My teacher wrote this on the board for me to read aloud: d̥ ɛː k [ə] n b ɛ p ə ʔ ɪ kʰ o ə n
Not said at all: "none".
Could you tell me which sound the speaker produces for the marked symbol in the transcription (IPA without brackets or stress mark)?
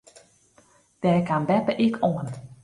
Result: a